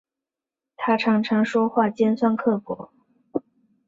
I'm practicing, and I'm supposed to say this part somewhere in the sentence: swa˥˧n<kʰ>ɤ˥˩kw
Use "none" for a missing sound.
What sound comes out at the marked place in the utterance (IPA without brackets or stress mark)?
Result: kʰ